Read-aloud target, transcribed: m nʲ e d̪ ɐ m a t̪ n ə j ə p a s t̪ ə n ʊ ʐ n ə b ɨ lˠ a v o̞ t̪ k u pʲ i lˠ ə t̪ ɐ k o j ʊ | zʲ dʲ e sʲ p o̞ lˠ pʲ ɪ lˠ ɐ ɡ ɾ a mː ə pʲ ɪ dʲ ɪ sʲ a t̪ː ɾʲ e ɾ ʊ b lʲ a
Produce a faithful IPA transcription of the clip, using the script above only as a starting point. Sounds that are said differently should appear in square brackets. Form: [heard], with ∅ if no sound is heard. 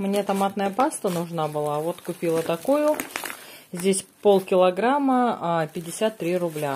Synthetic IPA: m nʲ e [t̪] ɐ m a t̪ n ə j ə p a s t̪ ə n ʊ ʐ n [a] b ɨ lˠ a v o̞ t̪ k [ʊ] pʲ i lˠ ə t̪ ɐ k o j ʊ | zʲ dʲ e sʲ p o̞ lˠ [kʲ] ɪ lˠ ɐ ɡ ɾ a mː ə pʲ ɪ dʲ ɪ sʲ a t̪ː ɾʲ [i] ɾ ʊ b lʲ a

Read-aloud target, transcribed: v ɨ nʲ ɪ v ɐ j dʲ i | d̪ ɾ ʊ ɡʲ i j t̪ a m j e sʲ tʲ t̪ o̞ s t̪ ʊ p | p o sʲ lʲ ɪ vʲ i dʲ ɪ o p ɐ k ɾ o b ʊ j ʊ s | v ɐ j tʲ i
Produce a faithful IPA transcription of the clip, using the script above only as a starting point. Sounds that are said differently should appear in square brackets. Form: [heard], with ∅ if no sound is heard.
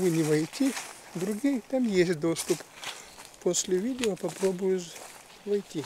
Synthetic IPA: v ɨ nʲ ɪ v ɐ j [tʲ] i | d̪ ɾ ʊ ɡʲ i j t̪ a m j e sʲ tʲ [d̪] o̞ s t̪ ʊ p | p o sʲ lʲ ɪ vʲ i dʲ ɪ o p ɐ [p] ɾ o b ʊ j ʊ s | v ɐ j tʲ i

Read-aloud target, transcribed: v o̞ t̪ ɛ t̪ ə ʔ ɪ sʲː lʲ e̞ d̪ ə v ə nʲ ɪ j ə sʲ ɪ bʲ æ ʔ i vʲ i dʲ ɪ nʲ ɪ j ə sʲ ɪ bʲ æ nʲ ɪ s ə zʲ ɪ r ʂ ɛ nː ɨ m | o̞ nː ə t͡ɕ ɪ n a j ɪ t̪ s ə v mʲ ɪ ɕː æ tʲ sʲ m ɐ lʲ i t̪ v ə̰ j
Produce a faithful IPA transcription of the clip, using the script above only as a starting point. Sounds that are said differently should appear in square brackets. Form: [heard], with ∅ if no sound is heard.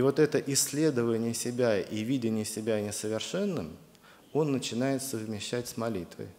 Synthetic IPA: v o̞ t̪ ɛ t̪ ə ʔ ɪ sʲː lʲ e̞ d̪ ə v ə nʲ ɪ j ə sʲ ɪ bʲ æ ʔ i vʲ i dʲ ɪ nʲ ɪ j ə sʲ ɪ bʲ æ nʲ ɪ s ə [vʲ] ɪ r ʂ ɛ nː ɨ m | o̞ nː ə t͡ɕ ɪ n a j ɪ t̪ s ə v mʲ ɪ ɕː æ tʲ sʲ m ɐ lʲ i t̪ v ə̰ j

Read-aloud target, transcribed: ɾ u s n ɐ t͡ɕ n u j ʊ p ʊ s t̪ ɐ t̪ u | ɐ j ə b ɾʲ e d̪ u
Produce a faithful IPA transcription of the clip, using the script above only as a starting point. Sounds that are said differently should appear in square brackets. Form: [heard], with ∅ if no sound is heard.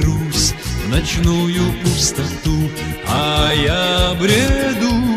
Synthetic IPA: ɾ u s n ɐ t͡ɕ n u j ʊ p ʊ s t̪ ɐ t̪ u | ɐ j [a] b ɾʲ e d̪ u

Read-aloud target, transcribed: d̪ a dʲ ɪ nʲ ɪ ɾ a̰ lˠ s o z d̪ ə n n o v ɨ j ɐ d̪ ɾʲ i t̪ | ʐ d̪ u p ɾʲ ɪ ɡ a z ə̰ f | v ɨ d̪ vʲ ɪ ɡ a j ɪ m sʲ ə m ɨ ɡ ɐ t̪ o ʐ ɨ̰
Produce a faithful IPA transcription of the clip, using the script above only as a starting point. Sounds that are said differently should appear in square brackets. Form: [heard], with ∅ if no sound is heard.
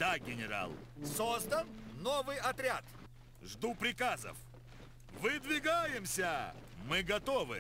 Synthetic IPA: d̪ a [ɡʲ] ɪ nʲ ɪ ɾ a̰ lˠ s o z d̪ ə n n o v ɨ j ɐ [t̪] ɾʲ [a] t̪ | ʐ d̪ u p ɾʲ ɪ [k] a z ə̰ f | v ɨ d̪ vʲ ɪ ɡ a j ɪ m sʲ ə m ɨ ɡ ɐ t̪ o [v] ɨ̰

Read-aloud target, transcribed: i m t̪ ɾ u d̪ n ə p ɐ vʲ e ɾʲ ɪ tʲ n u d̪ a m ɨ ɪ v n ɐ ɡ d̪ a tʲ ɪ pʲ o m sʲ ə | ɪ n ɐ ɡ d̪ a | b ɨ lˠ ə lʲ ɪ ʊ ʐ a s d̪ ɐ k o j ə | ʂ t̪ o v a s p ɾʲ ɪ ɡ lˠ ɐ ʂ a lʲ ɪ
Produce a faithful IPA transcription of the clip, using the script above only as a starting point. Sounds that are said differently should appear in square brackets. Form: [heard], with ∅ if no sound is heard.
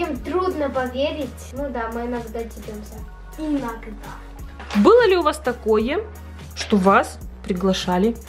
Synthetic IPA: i m t̪ ɾ u d̪ n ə p ɐ vʲ e ɾʲ ɪ tʲ n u d̪ a m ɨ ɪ [∅] n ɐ ɡ d̪ a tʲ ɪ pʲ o m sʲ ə | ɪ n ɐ ɡ d̪ a | b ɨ lˠ ə lʲ ɪ ʊ [v] a s [t̪] ɐ k o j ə | ʂ t̪ o v a s p ɾʲ ɪ ɡ lˠ ɐ ʂ a lʲ ɪ

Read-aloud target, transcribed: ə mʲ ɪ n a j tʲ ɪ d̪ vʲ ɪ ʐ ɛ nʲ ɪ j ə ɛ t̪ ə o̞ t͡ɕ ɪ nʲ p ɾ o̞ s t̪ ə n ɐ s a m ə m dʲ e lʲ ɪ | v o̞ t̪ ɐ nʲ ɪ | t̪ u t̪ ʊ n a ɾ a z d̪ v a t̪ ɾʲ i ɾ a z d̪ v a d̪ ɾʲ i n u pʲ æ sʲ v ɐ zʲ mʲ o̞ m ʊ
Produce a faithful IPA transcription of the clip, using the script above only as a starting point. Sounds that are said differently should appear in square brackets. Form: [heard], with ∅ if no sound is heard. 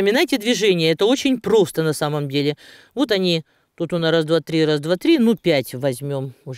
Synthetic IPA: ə mʲ ɪ n a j tʲ ɪ d̪ vʲ ɪ ʐ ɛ nʲ ɪ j ə ɛ t̪ ə o̞ t͡ɕ ɪ nʲ p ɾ o̞ s t̪ ə n ɐ s a m ə m dʲ e lʲ ɪ | v o̞ t̪ ɐ nʲ [i] | t̪ u t̪ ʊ n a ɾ a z d̪ v a t̪ ɾʲ i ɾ a z d̪ v a [t̪] ɾʲ i n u pʲ æ [tʲ] v ɐ zʲ mʲ o̞ m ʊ

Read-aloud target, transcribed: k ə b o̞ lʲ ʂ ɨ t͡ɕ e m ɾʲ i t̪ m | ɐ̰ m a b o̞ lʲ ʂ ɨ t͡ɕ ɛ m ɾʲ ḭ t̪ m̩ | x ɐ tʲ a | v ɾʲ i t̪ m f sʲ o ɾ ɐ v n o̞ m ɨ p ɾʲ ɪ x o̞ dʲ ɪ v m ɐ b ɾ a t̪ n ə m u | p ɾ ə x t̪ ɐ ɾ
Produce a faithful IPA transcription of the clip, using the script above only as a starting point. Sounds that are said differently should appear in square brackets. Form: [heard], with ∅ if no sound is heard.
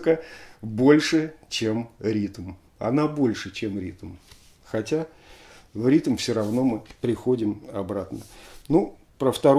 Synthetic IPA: k ə b o̞ lʲ ʂ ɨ t͡ɕ e m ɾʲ i t̪ m | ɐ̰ [n] a b o̞ lʲ ʂ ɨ t͡ɕ [e] m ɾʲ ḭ t̪ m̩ | x ɐ tʲ a | v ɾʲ i t̪ m f sʲ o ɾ ɐ v n o̞ m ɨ p ɾʲ ɪ x o̞ dʲ ɪ [∅] m ɐ b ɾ a t̪ n ə [n] u | p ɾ ə [f] t̪ ɐ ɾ

